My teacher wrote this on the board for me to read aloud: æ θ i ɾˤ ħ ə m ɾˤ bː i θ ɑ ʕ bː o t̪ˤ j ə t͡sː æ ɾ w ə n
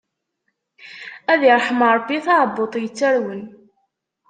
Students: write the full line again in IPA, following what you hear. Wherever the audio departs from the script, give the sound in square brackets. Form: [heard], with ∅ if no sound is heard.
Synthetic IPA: æ [ð] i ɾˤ ħ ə m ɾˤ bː i θ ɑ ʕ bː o t̪ˤ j ə t͡sː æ ɾ w ə n